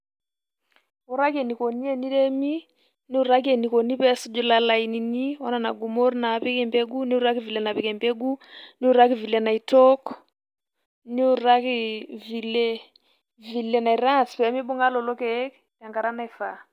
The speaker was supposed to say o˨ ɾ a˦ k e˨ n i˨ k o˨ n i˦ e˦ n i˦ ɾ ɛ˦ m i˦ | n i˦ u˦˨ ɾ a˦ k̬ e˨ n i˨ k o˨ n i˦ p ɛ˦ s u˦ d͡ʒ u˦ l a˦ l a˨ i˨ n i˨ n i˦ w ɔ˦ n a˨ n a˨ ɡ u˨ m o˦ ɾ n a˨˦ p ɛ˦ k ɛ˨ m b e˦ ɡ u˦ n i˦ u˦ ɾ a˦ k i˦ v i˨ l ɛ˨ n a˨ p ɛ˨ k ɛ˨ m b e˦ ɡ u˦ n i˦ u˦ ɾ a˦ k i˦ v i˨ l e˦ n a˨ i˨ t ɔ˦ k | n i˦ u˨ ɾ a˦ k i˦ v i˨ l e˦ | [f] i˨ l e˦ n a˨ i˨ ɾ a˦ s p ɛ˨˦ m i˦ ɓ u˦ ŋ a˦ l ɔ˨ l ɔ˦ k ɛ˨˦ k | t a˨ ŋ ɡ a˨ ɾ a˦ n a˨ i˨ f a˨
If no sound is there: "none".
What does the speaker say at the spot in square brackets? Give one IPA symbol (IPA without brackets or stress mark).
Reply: v